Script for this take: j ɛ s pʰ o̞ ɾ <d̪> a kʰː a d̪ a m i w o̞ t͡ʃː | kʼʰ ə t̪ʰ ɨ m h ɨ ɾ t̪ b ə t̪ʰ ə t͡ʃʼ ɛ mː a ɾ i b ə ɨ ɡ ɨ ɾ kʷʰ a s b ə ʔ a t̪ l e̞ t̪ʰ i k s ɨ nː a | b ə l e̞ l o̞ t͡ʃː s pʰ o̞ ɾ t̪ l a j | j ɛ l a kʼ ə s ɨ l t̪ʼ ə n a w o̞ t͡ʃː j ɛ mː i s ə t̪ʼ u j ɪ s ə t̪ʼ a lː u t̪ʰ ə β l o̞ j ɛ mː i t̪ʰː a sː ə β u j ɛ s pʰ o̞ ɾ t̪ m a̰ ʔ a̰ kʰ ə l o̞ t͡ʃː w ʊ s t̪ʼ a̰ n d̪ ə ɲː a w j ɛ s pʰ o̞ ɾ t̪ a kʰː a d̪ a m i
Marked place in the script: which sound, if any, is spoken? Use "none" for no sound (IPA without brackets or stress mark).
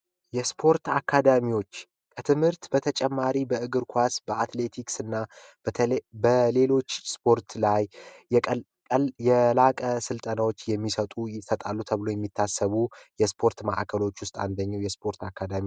t̪